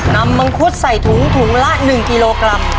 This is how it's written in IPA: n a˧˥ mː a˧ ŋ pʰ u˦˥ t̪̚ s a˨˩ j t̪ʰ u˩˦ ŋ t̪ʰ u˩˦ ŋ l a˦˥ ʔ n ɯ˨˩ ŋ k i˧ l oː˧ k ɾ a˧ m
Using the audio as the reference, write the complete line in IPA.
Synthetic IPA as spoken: n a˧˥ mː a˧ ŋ kʰ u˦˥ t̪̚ s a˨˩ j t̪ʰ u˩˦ ŋ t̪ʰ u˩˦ ŋ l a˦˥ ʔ n ɯ˨˩ ŋ k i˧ l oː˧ k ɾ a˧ m